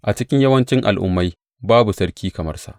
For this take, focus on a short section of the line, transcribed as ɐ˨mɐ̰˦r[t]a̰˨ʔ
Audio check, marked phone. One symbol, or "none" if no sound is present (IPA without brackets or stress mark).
s